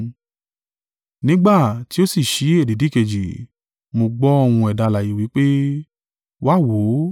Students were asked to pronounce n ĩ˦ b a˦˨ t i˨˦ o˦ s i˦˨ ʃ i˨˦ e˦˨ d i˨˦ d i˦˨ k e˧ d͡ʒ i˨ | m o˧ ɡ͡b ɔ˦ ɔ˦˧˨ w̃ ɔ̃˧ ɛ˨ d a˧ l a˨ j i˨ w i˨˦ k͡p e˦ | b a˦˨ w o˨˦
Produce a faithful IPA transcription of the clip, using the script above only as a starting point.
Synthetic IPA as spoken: n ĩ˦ ɡ͡b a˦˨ t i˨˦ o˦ s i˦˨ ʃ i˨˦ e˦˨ d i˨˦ d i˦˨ k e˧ d͡ʒ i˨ | m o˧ ɡ͡b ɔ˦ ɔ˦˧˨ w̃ ũ˧ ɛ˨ d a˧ l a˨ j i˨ w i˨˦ k͡p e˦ | w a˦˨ w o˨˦

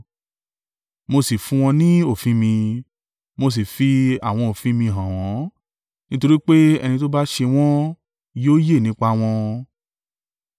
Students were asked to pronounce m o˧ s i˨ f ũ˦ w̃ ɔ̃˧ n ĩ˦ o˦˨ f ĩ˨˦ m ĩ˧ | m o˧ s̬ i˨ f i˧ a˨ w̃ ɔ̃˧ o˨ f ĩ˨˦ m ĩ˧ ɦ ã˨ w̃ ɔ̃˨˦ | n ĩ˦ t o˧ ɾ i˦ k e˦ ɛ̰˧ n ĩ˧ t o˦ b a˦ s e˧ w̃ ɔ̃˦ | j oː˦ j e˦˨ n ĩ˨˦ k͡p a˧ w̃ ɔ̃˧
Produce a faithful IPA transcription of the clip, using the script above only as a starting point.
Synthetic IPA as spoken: m o˧ s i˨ f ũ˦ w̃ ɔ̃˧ n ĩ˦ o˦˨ f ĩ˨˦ m ĩ˧ | m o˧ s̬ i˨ f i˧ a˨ w̃ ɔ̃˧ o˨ f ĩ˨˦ m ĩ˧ ɦ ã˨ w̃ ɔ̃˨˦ | n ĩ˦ t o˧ ɾ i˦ k͡p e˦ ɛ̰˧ n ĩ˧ t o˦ b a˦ ʃ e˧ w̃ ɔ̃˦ | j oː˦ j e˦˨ n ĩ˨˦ k͡p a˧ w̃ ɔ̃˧

